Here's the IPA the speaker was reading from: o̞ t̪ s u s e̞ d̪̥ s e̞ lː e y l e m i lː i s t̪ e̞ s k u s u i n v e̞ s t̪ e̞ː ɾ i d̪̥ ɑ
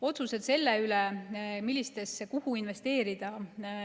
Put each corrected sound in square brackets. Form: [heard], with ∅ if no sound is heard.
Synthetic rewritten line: o̞ t̪ s u s e̞ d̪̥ s e̞ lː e y l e m i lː i s t̪ e̞ s k u [h] u i n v e̞ s t̪ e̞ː ɾ i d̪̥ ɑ

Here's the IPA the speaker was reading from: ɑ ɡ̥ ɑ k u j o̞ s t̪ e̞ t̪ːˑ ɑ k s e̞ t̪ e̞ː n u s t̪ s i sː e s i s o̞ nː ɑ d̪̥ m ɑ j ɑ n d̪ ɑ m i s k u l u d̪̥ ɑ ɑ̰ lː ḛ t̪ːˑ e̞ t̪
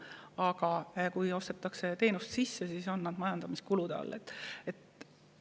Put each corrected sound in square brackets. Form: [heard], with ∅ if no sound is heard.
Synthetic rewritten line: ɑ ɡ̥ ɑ k u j o̞ s t̪ e̞ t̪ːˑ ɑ k s e̞ t̪ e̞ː n u s t̪ s i sː e s i s o̞ nː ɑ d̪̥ m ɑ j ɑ n d̪ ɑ m i s k u l u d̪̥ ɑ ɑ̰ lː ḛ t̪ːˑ e̞ t̪

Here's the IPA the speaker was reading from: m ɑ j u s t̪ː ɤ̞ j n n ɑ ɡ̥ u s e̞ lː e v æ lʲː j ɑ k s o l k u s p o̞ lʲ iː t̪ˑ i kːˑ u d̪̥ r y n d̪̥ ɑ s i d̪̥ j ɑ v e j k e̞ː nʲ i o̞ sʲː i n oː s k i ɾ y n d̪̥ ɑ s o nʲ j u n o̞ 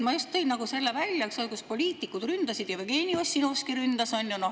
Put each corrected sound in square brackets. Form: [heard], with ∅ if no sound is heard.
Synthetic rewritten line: m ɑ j u s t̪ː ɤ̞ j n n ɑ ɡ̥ u s e̞ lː e v æ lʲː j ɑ k s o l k u s p o̞ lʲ iː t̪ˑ i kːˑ u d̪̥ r y n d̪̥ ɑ s i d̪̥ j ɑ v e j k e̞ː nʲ i o̞ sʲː i n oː s k i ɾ y n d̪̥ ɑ s o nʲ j u n o̞

